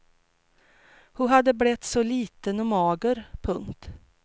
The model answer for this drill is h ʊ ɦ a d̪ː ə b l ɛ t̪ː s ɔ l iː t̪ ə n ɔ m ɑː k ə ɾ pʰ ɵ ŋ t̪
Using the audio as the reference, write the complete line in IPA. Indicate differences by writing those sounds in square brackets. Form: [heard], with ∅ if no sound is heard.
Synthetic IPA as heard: h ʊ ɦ a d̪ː ə b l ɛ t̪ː s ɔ l iː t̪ ə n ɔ m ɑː [ɡ] ə ɾ pʰ ɵ ŋ t̪